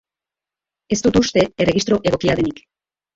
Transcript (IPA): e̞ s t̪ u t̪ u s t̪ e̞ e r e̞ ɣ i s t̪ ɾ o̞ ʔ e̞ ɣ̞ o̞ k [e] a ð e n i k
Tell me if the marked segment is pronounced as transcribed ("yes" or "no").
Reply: no